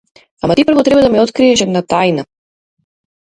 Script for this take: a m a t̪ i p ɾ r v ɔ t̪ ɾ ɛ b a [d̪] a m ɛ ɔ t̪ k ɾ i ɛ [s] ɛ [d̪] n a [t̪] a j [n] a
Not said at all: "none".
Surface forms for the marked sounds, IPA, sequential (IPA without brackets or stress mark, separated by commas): d̪, ʃ, d̪, t̪, n